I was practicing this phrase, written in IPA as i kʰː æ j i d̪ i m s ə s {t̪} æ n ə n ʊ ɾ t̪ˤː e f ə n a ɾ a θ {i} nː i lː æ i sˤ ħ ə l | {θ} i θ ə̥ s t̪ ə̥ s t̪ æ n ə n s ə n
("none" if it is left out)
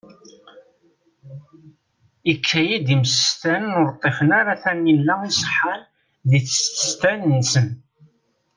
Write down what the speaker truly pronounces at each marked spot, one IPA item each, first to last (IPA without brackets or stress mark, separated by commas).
t̪, æ, ð